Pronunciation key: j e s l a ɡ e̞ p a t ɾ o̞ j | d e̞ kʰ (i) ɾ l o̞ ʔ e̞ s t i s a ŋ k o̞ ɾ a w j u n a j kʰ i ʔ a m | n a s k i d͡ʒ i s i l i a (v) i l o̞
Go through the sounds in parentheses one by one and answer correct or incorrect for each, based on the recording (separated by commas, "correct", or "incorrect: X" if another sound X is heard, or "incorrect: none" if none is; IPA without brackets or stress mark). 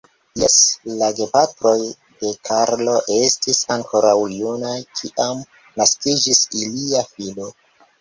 incorrect: a, incorrect: f